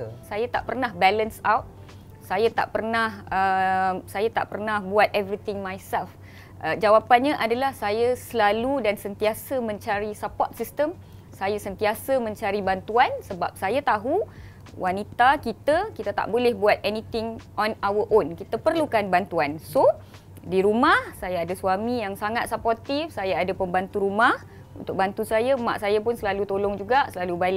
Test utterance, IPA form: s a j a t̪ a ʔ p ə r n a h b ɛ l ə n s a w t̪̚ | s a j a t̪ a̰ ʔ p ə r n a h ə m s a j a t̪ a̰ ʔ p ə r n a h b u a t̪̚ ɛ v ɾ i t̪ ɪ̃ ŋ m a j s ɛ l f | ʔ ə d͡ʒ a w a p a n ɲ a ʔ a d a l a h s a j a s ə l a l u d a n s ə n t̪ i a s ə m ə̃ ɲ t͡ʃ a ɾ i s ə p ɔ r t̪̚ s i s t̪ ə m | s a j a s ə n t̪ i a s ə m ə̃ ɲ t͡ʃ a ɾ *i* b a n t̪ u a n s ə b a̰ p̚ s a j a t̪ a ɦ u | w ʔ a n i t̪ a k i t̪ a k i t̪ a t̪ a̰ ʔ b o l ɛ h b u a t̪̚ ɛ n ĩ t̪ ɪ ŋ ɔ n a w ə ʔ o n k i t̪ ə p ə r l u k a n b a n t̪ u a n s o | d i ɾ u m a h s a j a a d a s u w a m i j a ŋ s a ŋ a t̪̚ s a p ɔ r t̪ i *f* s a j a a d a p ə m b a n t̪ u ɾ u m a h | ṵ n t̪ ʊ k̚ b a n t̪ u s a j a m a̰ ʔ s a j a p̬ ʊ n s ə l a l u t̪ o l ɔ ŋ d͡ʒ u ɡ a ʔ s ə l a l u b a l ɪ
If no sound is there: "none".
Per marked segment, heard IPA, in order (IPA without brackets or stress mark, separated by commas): i, f